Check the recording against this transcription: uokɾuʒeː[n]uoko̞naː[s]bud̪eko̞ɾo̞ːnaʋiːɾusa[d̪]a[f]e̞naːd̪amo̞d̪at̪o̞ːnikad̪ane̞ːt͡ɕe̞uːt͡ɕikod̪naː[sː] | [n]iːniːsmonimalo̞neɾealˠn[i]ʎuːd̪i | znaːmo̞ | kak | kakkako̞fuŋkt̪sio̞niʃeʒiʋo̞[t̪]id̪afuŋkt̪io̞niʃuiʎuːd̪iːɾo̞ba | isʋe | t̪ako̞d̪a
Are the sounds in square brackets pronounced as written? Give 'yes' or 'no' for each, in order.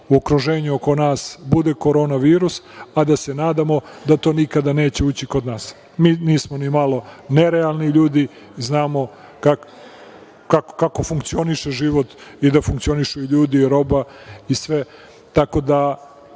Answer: no, yes, yes, no, no, no, yes, yes

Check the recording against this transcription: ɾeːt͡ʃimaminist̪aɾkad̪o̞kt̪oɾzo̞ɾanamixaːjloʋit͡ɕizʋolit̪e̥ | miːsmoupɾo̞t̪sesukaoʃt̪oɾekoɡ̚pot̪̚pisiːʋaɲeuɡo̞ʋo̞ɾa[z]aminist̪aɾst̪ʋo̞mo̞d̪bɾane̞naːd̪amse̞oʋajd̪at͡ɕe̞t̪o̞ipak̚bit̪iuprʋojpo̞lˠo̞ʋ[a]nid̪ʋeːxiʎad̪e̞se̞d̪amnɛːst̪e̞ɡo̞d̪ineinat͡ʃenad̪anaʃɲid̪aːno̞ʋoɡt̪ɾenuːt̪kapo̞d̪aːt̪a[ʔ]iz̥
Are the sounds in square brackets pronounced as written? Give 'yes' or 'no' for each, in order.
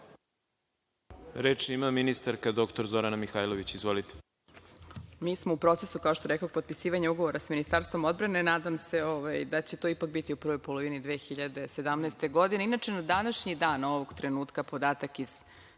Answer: no, no, no

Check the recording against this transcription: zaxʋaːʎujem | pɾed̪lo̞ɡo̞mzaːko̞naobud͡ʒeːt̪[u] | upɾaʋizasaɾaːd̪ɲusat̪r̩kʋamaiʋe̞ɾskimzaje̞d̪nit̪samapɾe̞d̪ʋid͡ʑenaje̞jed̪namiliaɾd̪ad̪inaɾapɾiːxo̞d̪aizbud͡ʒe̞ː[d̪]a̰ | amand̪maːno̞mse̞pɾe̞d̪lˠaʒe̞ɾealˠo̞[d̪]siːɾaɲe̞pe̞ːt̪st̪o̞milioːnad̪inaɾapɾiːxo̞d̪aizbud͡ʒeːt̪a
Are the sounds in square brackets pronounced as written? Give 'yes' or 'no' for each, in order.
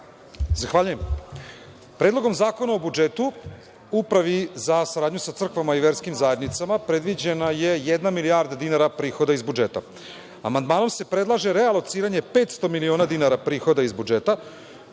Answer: yes, no, no

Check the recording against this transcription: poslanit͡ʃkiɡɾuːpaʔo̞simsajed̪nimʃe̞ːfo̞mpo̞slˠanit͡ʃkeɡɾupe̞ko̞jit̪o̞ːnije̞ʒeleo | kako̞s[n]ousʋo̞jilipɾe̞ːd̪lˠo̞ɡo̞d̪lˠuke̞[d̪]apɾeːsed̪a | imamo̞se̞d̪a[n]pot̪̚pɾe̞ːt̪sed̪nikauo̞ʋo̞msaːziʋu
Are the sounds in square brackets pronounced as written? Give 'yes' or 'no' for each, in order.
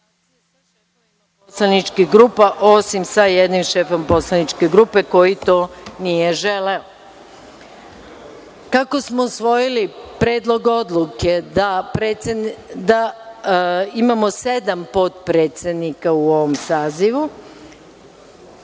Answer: no, yes, no

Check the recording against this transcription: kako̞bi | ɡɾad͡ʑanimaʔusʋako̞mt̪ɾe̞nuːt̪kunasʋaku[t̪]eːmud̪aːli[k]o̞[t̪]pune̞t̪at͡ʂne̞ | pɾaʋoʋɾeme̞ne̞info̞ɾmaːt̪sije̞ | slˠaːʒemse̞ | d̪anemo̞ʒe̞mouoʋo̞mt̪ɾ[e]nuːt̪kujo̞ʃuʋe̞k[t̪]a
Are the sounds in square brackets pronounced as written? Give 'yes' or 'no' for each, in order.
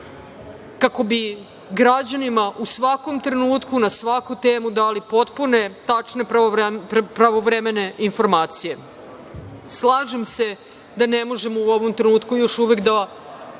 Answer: yes, no, yes, yes, no

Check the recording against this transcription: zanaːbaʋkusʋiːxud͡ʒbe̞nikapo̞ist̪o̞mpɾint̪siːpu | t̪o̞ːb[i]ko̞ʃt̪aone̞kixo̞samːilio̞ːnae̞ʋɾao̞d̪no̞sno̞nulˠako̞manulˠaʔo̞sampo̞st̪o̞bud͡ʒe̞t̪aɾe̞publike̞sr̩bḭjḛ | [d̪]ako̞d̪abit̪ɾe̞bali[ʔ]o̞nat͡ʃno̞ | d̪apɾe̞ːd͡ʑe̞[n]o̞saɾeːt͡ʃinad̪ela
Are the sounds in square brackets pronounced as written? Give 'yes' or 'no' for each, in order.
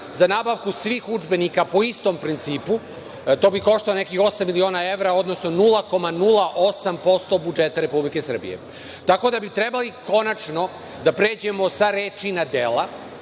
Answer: yes, no, no, no

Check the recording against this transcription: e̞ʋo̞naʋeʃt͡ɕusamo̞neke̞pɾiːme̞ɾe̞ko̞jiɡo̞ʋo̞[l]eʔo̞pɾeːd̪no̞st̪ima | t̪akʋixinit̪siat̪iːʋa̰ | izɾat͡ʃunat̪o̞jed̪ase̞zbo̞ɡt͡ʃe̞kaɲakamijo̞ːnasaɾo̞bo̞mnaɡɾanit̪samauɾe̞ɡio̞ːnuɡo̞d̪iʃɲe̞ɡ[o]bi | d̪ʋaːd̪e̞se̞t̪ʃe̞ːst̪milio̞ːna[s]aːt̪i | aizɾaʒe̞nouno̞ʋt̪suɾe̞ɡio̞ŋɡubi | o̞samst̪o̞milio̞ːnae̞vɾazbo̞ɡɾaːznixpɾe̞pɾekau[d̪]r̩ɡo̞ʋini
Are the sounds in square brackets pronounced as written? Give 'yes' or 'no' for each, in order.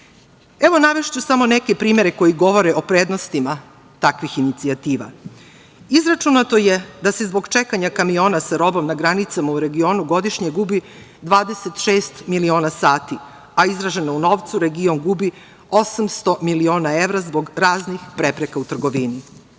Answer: no, no, yes, no

